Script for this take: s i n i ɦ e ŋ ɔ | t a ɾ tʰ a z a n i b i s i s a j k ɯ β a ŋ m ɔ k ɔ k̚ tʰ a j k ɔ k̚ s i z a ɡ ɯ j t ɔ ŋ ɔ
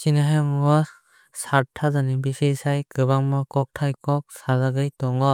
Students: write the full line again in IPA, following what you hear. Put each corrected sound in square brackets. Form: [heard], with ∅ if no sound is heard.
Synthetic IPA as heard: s i n [a] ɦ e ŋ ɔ | [s] a ɾ tʰ a z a n i b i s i s a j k ɯ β a ŋ m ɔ k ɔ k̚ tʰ a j k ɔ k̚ s [a] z a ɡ ɯ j t ɔ ŋ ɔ